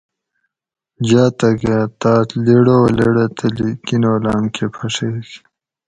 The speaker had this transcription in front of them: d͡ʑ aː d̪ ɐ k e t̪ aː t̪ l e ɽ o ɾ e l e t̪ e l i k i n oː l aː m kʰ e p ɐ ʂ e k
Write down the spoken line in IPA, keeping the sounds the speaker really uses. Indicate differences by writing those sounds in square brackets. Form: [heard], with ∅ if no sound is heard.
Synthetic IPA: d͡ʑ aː [t̪] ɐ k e t̪ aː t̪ l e ɽ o [l] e [ɽ] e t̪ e l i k i n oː l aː m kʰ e [pʰ] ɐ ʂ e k